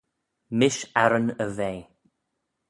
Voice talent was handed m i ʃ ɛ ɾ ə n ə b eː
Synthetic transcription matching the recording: m ɪ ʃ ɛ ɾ ə n ə v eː